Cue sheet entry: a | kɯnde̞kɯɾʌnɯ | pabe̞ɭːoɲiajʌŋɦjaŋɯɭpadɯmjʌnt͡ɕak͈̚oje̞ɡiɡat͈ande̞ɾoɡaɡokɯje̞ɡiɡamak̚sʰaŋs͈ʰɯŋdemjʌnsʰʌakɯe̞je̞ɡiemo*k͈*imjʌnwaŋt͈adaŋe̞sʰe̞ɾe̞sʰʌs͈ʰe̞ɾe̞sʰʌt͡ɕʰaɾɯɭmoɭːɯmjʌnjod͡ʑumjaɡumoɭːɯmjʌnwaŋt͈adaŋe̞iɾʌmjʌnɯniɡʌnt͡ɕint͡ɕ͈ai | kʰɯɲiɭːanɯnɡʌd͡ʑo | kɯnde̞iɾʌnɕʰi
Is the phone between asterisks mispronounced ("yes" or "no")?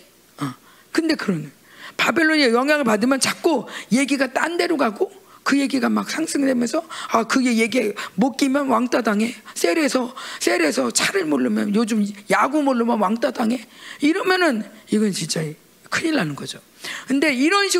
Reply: no